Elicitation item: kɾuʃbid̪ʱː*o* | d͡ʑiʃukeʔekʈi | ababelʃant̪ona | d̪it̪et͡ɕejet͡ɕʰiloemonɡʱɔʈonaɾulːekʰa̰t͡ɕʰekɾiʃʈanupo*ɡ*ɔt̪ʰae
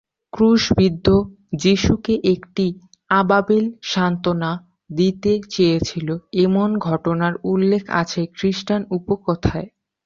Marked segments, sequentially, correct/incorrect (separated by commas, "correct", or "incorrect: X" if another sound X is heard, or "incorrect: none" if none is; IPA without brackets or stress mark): correct, incorrect: k